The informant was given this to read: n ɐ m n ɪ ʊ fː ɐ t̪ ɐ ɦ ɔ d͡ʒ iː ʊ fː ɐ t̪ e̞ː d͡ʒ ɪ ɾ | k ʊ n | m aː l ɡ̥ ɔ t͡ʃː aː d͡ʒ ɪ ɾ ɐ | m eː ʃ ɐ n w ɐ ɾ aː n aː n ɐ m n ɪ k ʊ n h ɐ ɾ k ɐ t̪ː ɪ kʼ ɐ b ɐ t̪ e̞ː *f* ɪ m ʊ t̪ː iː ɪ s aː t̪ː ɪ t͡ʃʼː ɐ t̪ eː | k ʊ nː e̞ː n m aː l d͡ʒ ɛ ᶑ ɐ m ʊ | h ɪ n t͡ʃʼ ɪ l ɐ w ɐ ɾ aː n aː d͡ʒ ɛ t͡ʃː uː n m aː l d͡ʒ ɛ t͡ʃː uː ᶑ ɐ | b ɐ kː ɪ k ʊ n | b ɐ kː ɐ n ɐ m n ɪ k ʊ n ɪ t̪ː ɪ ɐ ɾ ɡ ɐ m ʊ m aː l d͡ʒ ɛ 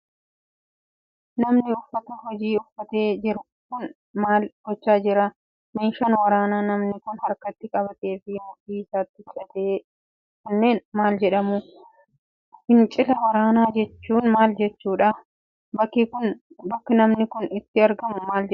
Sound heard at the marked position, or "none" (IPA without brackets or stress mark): f